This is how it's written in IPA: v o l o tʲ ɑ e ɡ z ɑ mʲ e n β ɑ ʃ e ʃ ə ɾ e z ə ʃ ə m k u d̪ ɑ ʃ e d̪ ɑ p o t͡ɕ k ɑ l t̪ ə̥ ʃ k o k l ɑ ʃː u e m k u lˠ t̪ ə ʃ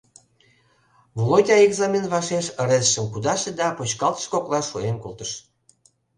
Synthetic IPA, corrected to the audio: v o l o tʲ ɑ e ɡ z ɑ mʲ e n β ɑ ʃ e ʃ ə ɾ e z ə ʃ ə m k u d̪ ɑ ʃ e d̪ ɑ p o t͡ɕ k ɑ l t̪ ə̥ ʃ k o k l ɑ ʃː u e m k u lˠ t̪ ə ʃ